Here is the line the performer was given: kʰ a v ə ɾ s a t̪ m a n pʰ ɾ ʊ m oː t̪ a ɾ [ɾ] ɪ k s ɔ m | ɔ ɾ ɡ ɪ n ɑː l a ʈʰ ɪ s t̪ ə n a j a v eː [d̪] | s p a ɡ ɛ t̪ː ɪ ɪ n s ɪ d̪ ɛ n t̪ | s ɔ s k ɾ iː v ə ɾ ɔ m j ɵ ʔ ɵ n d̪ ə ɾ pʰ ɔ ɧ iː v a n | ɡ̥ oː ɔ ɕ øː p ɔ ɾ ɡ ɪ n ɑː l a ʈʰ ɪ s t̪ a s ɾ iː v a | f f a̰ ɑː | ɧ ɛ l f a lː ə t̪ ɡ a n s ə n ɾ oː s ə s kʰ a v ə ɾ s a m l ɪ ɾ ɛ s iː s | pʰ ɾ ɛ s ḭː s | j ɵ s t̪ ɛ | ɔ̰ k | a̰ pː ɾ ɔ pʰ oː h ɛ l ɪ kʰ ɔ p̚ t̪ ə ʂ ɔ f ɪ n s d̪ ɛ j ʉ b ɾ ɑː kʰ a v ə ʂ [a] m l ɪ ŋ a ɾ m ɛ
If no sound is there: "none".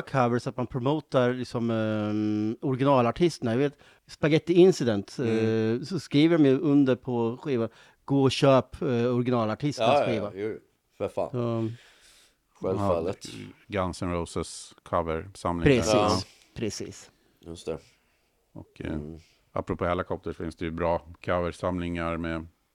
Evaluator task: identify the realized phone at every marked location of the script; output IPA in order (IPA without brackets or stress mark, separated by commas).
l, t̪, a